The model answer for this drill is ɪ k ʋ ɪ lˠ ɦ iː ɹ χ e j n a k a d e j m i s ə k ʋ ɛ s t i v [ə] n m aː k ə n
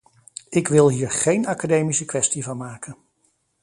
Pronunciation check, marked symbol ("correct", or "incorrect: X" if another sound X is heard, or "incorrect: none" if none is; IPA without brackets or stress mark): incorrect: ɑ